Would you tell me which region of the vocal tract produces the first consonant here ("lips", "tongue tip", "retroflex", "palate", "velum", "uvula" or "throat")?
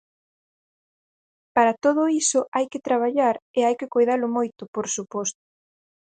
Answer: lips